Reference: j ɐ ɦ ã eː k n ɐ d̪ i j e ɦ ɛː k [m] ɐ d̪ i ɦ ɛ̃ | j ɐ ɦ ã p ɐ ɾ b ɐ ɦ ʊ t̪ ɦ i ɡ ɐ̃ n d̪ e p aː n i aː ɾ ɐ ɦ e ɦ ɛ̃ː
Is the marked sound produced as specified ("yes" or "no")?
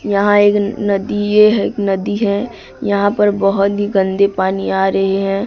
no